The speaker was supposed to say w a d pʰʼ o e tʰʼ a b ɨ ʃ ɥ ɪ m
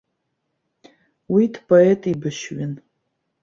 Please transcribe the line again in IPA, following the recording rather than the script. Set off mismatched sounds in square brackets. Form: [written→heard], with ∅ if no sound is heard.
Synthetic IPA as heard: w [a→i] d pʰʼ o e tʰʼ [a→i] b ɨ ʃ ɥ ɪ [m→n]

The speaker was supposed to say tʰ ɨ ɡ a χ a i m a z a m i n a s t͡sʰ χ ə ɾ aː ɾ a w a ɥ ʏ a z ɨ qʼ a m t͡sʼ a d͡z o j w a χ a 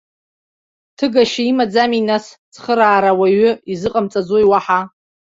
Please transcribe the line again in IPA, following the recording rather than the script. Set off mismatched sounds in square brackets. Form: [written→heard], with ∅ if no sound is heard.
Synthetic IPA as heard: tʰ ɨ ɡ a [χ→ʃ] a i m a [z→d͡z] a m i n a s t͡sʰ χ ə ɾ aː ɾ a w a ɥ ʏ [a→i] z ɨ qʼ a m t͡sʼ a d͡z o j w a [χ→ħ] a

